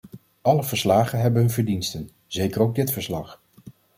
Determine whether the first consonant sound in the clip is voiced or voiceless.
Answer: voiced